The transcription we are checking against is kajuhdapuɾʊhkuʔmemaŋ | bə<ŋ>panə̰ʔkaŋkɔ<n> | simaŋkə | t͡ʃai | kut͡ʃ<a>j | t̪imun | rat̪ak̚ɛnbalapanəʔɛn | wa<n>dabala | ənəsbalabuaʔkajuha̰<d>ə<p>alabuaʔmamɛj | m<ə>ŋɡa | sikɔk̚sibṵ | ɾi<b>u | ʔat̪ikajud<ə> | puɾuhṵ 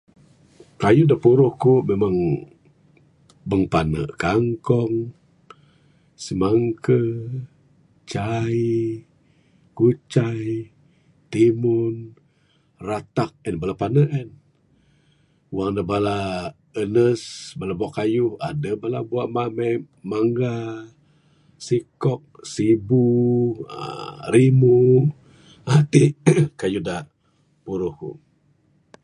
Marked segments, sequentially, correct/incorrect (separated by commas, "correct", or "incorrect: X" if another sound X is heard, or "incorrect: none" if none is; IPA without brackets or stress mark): correct, incorrect: ŋ, correct, incorrect: ŋ, correct, incorrect: b, incorrect: a, incorrect: m, incorrect: a